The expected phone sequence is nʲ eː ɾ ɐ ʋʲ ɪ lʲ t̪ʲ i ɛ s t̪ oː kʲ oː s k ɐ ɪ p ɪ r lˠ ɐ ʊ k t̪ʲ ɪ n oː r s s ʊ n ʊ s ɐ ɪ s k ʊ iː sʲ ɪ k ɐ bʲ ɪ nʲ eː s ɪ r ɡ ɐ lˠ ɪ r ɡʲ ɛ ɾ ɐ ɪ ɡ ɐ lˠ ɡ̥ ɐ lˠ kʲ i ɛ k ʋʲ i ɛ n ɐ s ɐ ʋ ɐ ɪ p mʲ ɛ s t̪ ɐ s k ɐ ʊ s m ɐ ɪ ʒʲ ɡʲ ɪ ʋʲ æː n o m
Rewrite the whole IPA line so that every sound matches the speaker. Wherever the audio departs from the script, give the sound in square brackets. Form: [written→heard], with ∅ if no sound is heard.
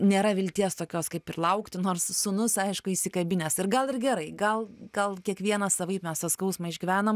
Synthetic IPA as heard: nʲ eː ɾ ɐ ʋʲ ɪ lʲ t̪ʲ i ɛ s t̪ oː kʲ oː s k ɐ ɪ p ɪ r lˠ ɐ ʊ k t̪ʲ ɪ n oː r s s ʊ n ʊ s ɐ ɪ [s→ʃ] k ʊ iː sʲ ɪ k ɐ bʲ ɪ nʲ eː s ɪ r ɡ ɐ lˠ ɪ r ɡʲ ɛ ɾ ɐ ɪ ɡ ɐ lˠ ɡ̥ ɐ lˠ kʲ i ɛ k ʋʲ i ɛ n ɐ s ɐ ʋ ɐ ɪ p mʲ ɛ s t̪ ɐ s k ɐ ʊ s m ɐ ɪ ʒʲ ɡʲ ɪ ʋʲ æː n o m